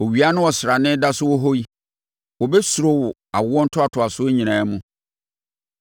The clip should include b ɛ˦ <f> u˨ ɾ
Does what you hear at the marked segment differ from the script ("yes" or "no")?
yes